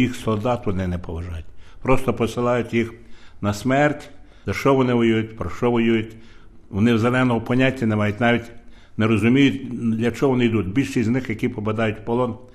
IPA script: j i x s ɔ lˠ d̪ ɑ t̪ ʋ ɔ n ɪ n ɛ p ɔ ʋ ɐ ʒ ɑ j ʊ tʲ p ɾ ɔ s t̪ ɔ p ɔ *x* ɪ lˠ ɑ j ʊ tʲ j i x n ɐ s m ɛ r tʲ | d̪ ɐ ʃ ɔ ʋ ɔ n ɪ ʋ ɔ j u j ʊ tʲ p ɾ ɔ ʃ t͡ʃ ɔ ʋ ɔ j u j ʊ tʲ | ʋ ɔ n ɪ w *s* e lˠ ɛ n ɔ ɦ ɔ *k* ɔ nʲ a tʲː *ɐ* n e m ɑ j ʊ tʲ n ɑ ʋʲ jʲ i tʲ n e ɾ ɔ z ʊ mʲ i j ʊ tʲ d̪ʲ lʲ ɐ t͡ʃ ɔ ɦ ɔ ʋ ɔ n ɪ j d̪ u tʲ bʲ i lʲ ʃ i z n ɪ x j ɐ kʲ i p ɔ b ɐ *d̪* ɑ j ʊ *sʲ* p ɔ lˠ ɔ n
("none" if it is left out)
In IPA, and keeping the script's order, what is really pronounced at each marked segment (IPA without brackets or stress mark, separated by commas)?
s, z, p, ɐ, d̪, tʲ